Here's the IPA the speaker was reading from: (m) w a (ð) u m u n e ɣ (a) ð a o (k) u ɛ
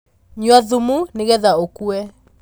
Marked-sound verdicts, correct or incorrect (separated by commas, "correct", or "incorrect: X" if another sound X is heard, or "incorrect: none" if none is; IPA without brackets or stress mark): incorrect: ɲ, correct, incorrect: ɛ, correct